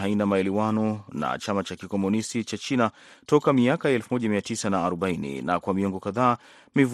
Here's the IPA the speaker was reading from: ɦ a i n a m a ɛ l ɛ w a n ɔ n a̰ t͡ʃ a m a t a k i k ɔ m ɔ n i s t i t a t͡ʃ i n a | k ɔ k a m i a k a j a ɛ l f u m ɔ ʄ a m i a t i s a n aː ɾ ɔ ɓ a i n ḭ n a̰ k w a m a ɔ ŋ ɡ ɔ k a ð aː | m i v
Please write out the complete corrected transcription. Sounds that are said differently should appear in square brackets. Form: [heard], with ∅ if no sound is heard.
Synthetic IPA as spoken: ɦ a i n a m a ɛ l ɛ w a n ɔ n a̰ t͡ʃ a m a [t͡ʃ] a k i k ɔ m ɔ n i s t i [t͡ʃ] a t͡ʃ i n a | [t] ɔ k a m i a k a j a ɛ l f u m ɔ ʄ a m i a t i s a n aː ɾ ɔ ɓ a i n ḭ n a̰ k w a m [i] ɔ ŋ ɡ ɔ k a ð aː | m i v